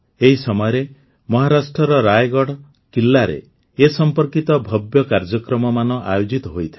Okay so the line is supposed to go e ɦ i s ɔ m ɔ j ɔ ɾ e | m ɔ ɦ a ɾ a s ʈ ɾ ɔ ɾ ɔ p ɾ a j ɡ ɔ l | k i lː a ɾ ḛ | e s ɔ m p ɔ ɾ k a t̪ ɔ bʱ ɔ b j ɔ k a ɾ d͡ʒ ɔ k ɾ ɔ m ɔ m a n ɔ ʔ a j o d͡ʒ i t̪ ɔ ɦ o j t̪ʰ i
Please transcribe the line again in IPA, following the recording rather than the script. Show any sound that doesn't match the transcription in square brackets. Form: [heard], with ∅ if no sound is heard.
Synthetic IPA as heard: e ɦ i s ɔ m ɔ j ɔ ɾ e | m ɔ ɦ a ɾ a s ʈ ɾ ɔ ɾ ɔ [∅] ɾ a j ɡ ɔ [ɽ] | k i lː a ɾ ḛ | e s ɔ m p ɔ ɾ k [i] t̪ ɔ bʱ ɔ b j ɔ k a ɾ d͡ʒ ɔ k ɾ ɔ m ɔ m a n ɔ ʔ a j o d͡ʒ i t̪ ɔ ɦ o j t̪ʰ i